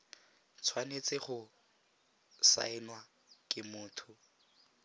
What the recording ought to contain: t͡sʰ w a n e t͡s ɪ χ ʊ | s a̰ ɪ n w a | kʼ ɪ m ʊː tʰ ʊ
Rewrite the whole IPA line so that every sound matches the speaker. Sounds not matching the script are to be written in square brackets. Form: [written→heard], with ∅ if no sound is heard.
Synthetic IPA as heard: t͡sʰ w a n e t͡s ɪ χ ʊ | s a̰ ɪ n w a | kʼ ɪ m ʊː tʰ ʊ